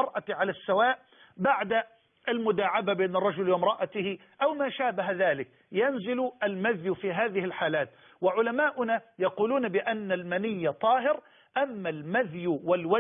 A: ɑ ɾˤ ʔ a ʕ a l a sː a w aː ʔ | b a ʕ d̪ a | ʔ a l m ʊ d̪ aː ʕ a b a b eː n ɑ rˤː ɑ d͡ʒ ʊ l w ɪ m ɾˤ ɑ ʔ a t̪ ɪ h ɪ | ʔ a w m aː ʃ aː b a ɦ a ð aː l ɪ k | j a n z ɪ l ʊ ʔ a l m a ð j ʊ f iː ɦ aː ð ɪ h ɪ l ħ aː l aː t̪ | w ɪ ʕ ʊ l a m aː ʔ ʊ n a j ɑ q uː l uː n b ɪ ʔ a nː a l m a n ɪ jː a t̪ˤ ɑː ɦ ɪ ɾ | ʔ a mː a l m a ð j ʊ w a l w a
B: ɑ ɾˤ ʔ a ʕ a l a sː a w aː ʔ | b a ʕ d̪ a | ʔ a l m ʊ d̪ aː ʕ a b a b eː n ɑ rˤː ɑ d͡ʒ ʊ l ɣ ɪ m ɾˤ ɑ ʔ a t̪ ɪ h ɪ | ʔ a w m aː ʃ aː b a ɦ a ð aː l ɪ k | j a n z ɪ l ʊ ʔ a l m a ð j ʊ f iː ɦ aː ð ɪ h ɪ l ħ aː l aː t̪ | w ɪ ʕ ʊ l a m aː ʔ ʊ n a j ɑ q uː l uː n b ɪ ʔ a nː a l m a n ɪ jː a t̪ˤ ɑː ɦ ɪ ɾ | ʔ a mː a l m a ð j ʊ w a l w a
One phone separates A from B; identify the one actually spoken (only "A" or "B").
A